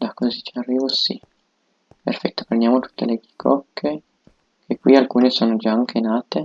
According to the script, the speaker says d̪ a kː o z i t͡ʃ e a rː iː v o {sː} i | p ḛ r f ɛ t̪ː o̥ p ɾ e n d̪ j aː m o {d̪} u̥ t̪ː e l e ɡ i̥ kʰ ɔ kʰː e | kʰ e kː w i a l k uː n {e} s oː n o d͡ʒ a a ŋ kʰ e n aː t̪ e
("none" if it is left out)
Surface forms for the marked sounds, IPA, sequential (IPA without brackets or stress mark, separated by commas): s, t̪, e